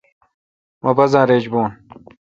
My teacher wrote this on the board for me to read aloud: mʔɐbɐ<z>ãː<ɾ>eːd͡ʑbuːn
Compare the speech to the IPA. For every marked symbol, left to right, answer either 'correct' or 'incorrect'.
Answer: correct, correct

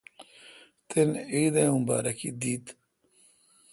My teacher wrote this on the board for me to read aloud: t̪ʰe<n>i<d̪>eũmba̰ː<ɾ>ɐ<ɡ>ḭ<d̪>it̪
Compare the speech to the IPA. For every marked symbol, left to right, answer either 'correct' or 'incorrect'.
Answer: correct, correct, correct, incorrect, correct

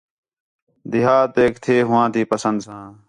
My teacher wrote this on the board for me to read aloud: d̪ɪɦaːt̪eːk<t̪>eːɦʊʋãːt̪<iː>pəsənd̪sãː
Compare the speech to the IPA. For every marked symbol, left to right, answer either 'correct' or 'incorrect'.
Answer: incorrect, correct

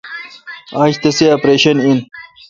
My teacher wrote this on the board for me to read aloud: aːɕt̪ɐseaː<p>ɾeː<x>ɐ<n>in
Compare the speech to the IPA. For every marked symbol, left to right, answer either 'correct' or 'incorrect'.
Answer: correct, incorrect, correct

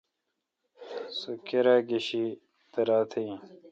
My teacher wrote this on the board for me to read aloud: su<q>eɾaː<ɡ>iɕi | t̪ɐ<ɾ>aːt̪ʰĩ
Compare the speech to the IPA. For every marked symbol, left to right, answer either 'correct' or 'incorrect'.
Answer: incorrect, correct, correct

